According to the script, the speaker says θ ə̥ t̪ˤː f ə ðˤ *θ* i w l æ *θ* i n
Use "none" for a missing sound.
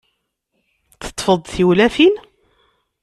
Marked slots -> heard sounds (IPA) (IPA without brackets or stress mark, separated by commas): θ, f